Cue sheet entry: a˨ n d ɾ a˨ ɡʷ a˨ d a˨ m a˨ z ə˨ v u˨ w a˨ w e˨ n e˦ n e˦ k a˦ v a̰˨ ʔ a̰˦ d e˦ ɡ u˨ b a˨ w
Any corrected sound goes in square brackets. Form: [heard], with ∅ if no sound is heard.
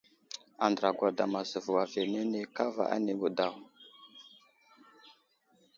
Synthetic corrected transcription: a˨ n d ɾ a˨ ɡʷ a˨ d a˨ m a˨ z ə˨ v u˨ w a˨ [v] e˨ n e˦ n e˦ k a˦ v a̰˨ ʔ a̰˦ [n] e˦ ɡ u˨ [d] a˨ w